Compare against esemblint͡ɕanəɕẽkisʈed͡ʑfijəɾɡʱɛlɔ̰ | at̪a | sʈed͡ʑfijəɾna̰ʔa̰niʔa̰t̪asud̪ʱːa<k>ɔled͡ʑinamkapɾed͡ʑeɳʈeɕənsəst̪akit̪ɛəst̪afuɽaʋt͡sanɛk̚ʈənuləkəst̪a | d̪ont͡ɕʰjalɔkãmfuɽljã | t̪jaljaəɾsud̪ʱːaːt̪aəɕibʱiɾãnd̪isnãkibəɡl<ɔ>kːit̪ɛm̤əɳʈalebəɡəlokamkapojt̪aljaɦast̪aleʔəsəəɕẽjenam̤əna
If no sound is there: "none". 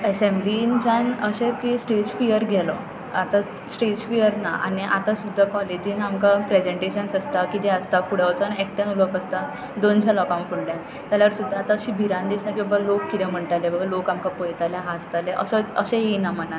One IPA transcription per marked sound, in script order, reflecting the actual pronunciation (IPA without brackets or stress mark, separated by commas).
k, o